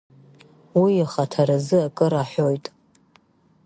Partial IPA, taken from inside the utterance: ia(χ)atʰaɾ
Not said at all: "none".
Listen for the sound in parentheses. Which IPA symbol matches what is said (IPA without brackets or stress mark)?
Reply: χ